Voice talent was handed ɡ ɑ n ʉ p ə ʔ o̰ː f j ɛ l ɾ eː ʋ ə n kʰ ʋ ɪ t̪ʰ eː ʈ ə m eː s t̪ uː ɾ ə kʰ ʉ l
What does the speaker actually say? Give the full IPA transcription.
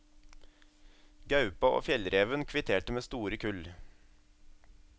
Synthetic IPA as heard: ɡ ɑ ʉ p ɑ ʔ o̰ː f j ɛ l ɾ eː ʋ ə n kʰ ʋ ɪ t̪ʰ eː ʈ ə m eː s t̪ uː ɾ ə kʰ ʉ l